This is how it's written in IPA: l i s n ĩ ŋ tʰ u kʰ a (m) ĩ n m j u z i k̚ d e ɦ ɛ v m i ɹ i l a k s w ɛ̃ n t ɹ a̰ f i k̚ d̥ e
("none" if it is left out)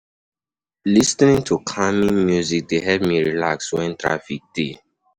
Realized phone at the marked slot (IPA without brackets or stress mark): m